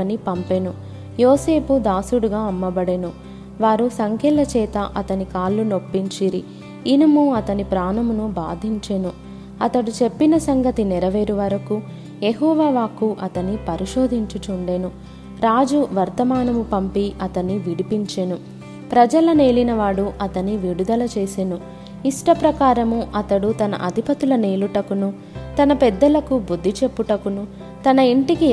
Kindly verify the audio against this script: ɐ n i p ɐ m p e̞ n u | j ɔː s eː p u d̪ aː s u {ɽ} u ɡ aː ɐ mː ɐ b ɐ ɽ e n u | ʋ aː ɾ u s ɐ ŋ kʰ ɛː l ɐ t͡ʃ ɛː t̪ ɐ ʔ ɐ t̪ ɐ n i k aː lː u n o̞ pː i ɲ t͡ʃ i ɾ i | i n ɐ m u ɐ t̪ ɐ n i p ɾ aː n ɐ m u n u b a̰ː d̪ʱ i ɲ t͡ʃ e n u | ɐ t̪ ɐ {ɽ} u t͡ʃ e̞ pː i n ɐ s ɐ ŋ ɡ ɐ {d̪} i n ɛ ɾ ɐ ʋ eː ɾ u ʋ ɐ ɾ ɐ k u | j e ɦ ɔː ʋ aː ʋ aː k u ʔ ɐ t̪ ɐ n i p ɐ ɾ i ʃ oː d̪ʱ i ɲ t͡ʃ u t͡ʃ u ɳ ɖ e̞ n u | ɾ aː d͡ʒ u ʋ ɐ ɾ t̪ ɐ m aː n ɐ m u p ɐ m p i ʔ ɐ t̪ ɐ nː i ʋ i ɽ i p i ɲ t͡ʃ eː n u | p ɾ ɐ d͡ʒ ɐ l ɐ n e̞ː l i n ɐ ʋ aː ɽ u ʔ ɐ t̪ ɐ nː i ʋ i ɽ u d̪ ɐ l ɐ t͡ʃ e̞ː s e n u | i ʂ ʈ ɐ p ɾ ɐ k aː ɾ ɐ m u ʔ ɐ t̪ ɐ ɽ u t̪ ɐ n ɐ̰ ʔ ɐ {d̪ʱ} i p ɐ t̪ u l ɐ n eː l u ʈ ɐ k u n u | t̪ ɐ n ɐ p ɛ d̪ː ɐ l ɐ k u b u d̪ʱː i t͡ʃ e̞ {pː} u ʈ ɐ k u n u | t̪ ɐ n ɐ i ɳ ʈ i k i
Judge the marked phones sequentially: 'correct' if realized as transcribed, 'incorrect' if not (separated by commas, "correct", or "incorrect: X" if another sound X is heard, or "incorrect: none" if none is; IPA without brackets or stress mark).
correct, correct, incorrect: t̪, correct, correct